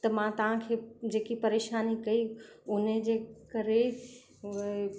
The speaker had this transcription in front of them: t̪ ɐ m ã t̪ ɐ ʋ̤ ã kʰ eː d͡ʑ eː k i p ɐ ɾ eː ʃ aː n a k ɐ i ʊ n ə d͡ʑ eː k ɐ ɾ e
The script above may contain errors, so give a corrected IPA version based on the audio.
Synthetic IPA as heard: t̪ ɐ m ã t̪ ɐ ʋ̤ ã kʰ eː d͡ʑ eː k i p ɐ ɾ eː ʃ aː n i k ɐ i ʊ n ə d͡ʑ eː k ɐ ɾ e